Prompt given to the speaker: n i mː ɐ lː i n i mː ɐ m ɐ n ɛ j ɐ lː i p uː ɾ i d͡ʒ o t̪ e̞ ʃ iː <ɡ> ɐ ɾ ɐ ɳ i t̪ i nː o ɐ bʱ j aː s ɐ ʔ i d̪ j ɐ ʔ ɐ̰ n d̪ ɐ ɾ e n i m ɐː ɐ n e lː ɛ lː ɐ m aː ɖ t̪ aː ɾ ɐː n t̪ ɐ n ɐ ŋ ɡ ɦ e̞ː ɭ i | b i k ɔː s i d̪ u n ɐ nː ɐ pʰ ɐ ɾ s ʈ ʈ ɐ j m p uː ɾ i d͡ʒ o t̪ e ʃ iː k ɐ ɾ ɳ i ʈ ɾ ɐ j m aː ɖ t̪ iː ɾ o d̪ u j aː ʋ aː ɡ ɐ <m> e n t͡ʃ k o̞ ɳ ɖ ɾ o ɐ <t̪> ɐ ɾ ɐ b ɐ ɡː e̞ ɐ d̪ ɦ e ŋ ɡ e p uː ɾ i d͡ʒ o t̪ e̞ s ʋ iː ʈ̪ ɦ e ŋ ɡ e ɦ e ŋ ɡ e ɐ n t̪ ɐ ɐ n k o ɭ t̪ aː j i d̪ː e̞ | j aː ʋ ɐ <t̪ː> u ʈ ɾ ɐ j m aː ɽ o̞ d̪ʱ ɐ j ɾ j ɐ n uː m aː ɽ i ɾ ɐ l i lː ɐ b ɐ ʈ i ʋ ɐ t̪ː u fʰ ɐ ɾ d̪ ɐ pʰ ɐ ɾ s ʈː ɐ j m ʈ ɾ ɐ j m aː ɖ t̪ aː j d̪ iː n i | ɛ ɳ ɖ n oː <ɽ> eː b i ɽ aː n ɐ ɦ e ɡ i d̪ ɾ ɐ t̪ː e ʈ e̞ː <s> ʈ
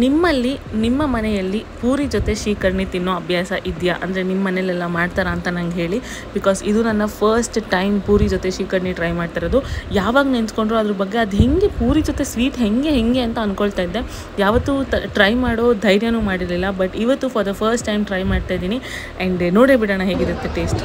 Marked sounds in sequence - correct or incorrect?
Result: incorrect: k, incorrect: n, incorrect: d̪, correct, correct, correct

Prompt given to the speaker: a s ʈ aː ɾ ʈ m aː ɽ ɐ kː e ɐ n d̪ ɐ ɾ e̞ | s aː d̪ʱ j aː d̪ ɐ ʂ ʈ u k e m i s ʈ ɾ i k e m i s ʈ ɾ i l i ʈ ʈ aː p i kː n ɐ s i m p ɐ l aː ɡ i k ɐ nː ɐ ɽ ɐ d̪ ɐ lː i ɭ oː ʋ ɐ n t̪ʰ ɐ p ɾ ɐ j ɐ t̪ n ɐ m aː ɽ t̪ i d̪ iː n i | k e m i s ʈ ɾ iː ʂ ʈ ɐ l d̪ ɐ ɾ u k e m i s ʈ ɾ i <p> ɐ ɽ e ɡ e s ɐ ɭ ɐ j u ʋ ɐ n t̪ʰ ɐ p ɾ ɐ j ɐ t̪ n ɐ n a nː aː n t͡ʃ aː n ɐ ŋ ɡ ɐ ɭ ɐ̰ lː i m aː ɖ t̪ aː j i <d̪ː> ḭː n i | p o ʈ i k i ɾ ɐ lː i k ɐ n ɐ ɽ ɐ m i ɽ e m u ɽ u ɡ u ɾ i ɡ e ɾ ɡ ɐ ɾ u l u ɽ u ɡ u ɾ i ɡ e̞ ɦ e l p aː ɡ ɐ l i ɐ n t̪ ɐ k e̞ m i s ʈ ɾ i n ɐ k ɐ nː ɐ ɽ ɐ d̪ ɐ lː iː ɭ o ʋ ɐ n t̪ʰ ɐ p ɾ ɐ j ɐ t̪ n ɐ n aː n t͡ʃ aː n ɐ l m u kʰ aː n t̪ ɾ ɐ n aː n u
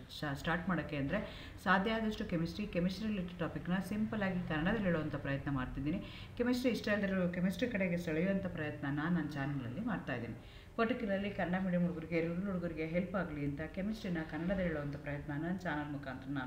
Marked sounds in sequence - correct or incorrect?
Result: incorrect: k, incorrect: d̪

